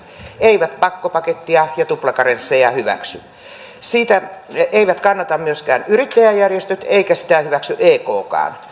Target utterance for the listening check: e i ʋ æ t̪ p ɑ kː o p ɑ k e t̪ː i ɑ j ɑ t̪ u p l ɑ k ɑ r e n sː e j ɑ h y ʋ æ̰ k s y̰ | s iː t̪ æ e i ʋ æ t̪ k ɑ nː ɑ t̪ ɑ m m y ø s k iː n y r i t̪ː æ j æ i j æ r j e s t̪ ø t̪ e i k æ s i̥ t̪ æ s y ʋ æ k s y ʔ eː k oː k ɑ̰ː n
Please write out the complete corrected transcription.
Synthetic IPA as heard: e i ʋ æ t̪ p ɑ kː o p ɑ k e t̪ː i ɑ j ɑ t̪ u p l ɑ k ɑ r e n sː e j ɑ h y ʋ æ̰ k s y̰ | s iː t̪ æ e i ʋ æ t̪ k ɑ nː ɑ t̪ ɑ m m y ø s k æː n y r i t̪ː æ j æ j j æ r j e s t̪ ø t̪ e i k æ s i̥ t̪ æ h y ʋ æ k s y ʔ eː k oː k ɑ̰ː n